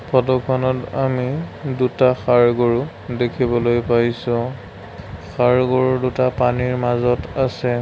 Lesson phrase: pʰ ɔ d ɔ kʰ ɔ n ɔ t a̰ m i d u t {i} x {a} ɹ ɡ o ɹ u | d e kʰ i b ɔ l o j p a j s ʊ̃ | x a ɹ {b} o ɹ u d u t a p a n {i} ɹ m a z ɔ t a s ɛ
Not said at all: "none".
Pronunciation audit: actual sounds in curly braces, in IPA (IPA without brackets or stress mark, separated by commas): a, a, ɡ, i